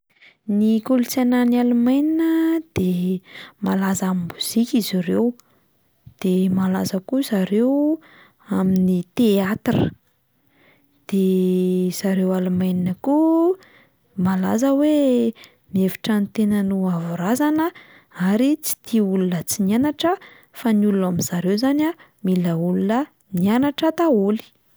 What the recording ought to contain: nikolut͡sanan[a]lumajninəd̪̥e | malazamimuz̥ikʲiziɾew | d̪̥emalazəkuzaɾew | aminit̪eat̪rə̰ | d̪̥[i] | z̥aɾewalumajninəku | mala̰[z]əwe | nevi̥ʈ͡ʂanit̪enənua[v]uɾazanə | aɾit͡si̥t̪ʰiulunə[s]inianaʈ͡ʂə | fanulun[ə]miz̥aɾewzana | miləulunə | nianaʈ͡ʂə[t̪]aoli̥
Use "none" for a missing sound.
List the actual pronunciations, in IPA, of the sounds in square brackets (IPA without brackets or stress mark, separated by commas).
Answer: a, e, z, v, t͡s, a, t̪